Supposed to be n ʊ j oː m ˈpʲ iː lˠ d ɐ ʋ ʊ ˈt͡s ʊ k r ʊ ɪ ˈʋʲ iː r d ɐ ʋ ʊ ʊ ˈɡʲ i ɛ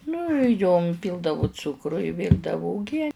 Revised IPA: n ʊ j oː m ˈpʲ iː lˠ d ɐ ʋ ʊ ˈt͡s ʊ k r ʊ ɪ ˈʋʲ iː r d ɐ ʋ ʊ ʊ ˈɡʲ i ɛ

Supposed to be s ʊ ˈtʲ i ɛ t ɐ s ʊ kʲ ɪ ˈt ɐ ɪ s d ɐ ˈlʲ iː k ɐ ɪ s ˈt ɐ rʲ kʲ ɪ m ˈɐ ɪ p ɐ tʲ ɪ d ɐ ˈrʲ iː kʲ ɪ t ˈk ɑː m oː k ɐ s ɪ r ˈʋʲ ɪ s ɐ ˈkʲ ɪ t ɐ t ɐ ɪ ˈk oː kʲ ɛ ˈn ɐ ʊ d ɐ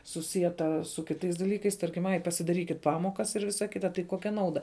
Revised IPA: s ʊ ˈsʲ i ɛ t ɐ s ʊ kʲ ɪ ˈt ɐ ɪ s d ɐ ˈlʲ iː k ɐ ɪ s ˈt ɐ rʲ kʲ ɪ m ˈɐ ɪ p ɐ sʲ ɪ d ɐ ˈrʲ iː kʲ ɪ t ˈp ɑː m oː k ɐ s ɪ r ˈʋʲ ɪ s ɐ ˈkʲ ɪ t ɐ t ɐ ɪ ˈk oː kʲ ɛ ˈn ɐ ʊ d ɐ

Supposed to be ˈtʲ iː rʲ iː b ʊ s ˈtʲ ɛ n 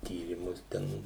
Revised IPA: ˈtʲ iː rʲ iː m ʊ s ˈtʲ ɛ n

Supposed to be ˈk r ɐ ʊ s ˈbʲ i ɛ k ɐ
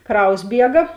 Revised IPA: ˈk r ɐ ʊ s ˈbʲ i ɛ ɡ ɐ

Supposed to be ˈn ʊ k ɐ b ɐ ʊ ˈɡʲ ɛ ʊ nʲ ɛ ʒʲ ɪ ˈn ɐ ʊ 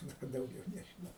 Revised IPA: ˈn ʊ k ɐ d ɐ ʊ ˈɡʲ ɛ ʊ nʲ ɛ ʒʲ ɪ ˈn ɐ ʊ

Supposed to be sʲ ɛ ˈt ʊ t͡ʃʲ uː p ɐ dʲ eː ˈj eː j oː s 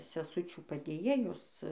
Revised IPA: sʲ ɛ ˈs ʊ t͡ʃʲ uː p ɐ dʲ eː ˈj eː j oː s

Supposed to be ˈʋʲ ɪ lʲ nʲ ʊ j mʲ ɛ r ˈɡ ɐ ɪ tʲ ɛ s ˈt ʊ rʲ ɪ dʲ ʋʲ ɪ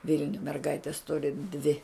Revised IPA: ˈʋʲ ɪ lʲ nʲ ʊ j mʲ ɛ r ˈɡ ɐ ɪ tʲ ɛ s ˈt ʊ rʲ ɪ dʲ ʋʲ ɪ

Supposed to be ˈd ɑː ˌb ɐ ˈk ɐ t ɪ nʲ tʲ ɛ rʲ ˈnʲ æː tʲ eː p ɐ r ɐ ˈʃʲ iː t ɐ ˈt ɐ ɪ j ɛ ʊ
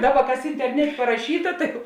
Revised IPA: ˈd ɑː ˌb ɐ ˈk ɐ s ɪ nʲ tʲ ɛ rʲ ˈnʲ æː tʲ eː p ɐ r ɐ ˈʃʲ iː t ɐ ˈt ɐ ɪ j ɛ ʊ

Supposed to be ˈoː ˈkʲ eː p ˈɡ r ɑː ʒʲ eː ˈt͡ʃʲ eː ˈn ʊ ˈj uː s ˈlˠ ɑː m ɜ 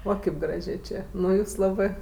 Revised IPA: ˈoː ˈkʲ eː p ˈɡ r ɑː ʒʲ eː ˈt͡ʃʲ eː ˈn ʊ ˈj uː s ˈlˠ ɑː b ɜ

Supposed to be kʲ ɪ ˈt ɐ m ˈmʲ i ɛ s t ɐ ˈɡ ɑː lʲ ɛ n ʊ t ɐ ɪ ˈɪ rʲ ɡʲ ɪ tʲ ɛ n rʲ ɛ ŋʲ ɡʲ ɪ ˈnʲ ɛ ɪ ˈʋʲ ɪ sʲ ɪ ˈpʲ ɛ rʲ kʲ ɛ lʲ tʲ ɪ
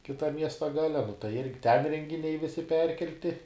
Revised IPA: kʲ ɪ ˈt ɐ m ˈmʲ i ɛ s t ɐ ˈɡ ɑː lʲ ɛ n ʊ t ɐ ɪ ˈɪ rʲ ɡʲ ɪ tʲ ɛ n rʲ ɛ ŋʲ ɡʲ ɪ ˈnʲ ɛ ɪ ˈʋʲ ɪ sʲ ɪ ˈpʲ ɛ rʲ kʲ ɛ lʲ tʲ ɪ

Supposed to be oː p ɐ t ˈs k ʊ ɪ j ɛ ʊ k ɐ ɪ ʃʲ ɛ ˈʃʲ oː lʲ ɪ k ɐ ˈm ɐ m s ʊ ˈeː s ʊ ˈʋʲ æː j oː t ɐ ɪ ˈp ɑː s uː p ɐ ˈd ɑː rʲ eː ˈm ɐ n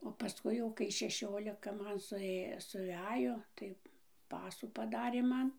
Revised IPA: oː p ɐ ˈs k ʊ ɪ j ɛ ʊ k ɐ ɪ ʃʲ ɛ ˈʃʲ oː lʲ ɪ k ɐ ˈm ɐ n s ʊ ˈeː s ʊ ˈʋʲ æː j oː t ɐ ɪ ˈp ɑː s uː p ɐ ˈd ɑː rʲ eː ˈm ɐ n

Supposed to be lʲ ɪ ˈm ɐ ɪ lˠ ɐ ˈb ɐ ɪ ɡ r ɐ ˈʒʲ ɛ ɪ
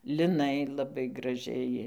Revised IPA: lʲ ɪ ˈn ɐ ɪ lˠ ɐ ˈb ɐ ɪ ɡ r ɐ ˈʒʲ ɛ ɪ

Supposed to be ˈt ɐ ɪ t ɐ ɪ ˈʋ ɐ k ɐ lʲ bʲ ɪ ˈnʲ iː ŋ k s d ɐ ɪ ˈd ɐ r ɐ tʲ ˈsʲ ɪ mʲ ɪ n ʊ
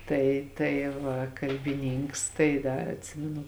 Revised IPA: ˈt ɐ ɪ t ɐ ɪ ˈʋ ɐ k ɐ lʲ bʲ ɪ ˈnʲ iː ŋ k s t ɐ ɪ ˈd ɐ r ɐ tʲ ˈsʲ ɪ mʲ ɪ n ʊ

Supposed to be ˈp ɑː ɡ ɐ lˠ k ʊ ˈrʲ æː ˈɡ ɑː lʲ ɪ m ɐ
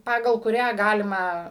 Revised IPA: ˈp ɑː ɡ ɐ lˠ k ʊ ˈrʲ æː ˈɡ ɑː lʲ ɪ m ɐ

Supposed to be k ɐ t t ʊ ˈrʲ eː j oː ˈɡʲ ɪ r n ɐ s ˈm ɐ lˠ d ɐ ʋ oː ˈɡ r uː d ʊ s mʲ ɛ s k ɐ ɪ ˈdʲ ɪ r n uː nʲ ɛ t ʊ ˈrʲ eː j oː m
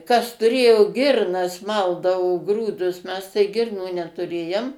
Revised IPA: k ɐ s t ʊ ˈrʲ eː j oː ˈɡʲ ɪ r n ɐ s ˈm ɐ lˠ d ɐ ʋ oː ˈɡ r uː d ʊ s mʲ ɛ s t ɐ ɪ ˈɡʲ ɪ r n uː nʲ ɛ t ʊ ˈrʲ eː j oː m

